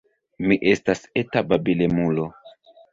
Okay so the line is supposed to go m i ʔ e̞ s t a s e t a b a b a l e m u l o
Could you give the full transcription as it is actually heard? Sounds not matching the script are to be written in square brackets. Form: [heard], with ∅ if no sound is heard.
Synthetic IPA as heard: m i ʔ e̞ s t a s e t a b a b [i] l e m u l o